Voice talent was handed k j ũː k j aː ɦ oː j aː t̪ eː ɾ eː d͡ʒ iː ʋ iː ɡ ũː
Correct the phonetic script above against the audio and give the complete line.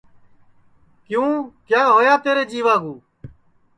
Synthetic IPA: k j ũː k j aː ɦ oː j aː t̪ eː ɾ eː d͡ʒ iː ʋ aː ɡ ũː